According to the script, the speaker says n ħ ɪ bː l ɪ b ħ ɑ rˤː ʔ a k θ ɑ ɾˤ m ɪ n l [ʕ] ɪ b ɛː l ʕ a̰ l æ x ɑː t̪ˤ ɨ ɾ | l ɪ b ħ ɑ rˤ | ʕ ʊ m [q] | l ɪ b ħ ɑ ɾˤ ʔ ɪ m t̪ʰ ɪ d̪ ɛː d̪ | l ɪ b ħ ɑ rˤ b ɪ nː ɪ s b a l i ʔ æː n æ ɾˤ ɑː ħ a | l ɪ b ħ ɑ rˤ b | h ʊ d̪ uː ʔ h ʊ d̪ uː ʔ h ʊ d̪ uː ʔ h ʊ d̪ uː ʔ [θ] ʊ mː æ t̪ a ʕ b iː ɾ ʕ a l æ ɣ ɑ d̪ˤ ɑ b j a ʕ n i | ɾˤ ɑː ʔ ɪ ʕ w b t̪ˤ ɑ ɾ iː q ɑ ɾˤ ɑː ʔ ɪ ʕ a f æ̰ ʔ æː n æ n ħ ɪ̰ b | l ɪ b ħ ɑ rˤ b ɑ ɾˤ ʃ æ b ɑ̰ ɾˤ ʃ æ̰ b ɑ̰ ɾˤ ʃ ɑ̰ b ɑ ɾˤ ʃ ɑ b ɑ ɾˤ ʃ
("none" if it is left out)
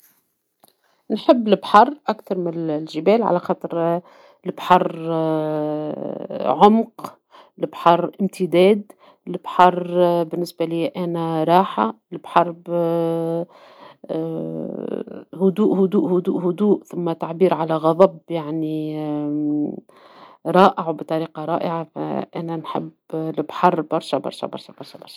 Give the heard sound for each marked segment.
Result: ʒ, q, θ

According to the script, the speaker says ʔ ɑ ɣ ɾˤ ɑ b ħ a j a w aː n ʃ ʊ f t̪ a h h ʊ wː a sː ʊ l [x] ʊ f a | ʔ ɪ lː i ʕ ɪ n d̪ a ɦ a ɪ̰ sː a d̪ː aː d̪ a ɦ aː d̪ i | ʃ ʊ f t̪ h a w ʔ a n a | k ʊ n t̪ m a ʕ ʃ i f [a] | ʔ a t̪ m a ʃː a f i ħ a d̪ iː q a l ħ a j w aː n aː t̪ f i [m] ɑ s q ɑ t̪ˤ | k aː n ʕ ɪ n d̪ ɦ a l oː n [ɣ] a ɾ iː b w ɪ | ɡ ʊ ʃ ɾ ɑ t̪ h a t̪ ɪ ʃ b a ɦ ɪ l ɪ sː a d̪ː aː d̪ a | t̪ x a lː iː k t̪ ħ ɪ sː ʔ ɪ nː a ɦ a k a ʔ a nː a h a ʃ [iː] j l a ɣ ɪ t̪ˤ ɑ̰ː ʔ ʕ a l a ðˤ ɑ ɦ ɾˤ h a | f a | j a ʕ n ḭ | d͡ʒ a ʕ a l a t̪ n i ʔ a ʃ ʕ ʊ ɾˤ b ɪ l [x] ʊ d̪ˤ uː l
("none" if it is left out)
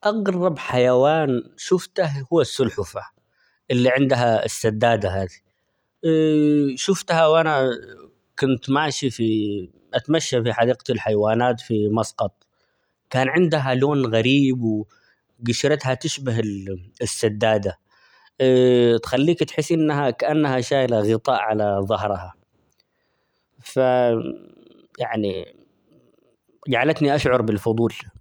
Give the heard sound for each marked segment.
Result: ħ, i, m, ɣ, aː, f

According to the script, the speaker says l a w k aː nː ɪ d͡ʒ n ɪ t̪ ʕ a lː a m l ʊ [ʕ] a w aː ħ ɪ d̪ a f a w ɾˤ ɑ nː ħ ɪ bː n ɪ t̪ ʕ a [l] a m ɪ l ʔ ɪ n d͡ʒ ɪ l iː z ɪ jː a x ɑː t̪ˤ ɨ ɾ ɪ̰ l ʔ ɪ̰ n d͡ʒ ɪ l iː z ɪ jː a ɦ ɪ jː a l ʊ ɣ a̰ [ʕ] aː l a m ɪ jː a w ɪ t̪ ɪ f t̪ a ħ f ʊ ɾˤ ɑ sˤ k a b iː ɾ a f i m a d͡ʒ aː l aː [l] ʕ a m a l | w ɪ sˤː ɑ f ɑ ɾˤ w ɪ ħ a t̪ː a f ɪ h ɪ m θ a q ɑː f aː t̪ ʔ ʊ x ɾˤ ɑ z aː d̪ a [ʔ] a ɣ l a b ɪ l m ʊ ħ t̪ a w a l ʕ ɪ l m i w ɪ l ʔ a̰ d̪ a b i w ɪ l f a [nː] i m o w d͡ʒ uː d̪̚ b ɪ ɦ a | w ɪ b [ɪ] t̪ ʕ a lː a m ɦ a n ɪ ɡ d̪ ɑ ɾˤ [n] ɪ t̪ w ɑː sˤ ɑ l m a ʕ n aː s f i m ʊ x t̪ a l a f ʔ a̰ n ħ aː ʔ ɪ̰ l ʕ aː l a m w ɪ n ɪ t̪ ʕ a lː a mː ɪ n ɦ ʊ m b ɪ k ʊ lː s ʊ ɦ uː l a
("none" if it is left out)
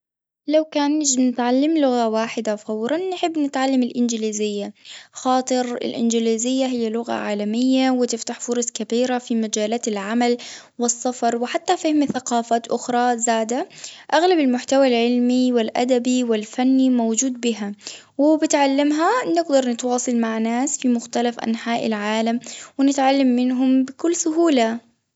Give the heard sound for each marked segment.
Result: ɣ, lː, ʕ, l, ʔ, nː, ɪ, n

